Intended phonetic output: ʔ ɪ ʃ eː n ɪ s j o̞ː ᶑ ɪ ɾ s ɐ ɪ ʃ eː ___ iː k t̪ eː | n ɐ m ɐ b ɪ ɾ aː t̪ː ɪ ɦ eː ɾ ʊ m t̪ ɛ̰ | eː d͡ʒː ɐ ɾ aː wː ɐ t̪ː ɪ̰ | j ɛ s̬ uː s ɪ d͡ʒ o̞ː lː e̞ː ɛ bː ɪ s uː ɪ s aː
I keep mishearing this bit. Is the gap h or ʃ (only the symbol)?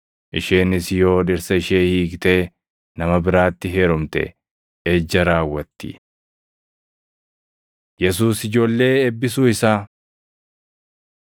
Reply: h